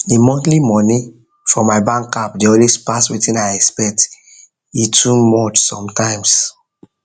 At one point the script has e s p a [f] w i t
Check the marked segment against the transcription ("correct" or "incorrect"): incorrect